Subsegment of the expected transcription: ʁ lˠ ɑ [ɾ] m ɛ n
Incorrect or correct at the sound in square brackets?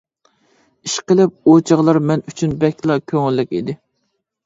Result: correct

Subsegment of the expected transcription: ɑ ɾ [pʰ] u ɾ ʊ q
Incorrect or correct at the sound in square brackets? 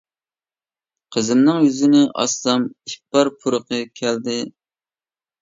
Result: correct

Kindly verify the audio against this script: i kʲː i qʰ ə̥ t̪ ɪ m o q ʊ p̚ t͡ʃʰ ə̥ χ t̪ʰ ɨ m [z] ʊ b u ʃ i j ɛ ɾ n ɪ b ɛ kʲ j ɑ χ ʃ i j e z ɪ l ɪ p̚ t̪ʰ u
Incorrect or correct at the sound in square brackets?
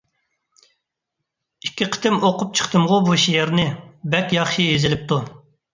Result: incorrect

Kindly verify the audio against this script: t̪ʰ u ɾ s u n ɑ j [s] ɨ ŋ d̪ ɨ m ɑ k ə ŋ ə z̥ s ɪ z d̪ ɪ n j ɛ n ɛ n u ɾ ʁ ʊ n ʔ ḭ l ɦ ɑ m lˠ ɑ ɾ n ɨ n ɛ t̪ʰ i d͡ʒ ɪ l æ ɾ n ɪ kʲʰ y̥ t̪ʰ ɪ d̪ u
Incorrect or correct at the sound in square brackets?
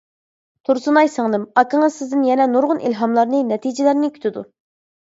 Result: correct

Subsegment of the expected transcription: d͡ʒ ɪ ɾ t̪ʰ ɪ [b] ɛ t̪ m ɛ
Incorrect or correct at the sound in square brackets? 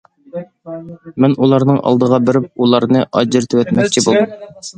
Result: incorrect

